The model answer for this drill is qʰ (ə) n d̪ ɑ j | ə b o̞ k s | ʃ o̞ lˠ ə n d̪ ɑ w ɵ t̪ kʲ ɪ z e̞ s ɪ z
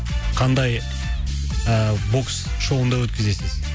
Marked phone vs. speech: incorrect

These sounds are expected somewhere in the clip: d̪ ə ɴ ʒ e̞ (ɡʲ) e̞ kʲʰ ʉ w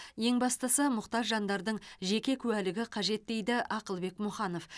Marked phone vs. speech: incorrect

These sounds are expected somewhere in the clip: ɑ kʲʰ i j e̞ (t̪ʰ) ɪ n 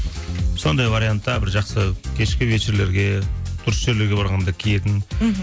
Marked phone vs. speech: incorrect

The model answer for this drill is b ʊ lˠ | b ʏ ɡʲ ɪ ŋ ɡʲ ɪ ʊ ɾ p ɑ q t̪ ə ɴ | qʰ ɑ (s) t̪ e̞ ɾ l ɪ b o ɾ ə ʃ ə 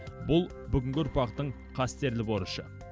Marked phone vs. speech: correct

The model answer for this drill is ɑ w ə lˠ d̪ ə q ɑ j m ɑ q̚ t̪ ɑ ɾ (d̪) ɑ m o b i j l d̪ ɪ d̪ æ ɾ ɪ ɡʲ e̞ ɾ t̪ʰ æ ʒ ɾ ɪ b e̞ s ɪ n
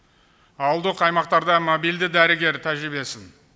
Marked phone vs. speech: correct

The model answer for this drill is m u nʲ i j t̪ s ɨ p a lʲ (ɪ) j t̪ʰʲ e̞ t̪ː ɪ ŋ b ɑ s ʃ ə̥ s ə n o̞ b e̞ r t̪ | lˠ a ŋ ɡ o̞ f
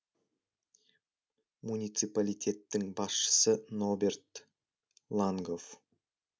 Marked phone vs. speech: incorrect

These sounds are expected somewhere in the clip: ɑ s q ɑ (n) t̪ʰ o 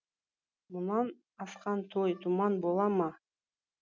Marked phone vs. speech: correct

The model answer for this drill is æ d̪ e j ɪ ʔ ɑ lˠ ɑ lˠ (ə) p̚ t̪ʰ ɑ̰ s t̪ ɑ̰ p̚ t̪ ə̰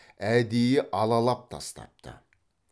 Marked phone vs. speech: incorrect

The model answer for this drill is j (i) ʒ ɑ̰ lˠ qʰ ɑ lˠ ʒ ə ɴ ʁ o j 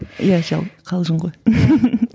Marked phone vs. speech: incorrect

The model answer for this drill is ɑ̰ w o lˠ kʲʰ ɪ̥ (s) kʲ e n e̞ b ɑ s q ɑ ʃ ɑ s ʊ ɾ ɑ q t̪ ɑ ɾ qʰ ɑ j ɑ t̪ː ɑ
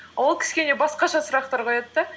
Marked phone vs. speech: correct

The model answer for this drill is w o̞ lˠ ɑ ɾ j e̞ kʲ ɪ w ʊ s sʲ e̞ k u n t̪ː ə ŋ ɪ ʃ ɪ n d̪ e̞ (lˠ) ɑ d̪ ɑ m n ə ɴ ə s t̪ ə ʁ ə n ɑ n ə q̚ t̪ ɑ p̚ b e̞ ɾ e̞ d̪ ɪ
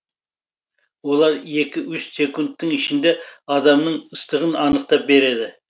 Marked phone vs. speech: incorrect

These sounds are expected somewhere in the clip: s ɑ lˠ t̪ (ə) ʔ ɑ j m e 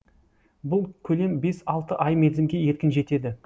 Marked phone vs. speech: correct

